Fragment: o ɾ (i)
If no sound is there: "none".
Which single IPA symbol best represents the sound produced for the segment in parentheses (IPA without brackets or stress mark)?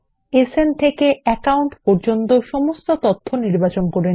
e